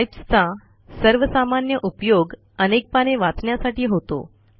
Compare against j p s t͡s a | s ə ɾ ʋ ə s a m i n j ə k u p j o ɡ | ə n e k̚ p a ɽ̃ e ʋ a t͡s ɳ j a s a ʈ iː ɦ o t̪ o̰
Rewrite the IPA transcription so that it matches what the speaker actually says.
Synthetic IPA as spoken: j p s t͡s a | s ə ɾ ʋ ə s a m a n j ə ʔ u p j o ɡ | ə n e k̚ p a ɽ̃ e ʋ a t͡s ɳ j a s a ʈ iː ɦ o t̪ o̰